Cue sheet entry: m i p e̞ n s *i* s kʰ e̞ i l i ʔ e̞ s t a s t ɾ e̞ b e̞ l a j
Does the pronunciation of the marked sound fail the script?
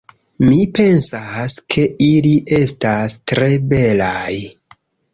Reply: yes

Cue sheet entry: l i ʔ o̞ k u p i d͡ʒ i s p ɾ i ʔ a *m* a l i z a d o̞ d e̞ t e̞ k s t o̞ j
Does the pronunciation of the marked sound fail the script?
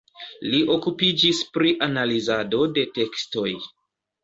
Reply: yes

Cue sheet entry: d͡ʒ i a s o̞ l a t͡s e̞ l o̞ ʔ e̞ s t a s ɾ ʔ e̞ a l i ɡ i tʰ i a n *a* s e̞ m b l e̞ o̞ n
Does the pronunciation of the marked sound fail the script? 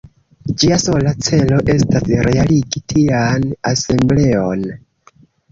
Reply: no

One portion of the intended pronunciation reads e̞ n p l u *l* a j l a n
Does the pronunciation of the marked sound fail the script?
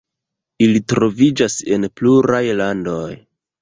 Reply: yes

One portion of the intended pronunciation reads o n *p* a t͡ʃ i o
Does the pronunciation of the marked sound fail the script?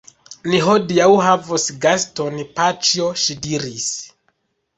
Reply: no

